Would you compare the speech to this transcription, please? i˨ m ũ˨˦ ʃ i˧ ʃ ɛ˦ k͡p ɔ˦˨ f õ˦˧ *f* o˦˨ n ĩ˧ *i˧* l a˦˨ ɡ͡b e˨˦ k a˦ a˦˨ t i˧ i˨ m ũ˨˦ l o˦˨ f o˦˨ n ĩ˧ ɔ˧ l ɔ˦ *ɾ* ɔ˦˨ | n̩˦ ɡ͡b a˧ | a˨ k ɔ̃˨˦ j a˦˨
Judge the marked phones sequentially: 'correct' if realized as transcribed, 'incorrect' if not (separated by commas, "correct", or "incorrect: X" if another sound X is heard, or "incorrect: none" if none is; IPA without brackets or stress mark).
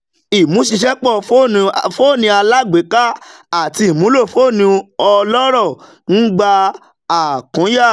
correct, incorrect: a˧, correct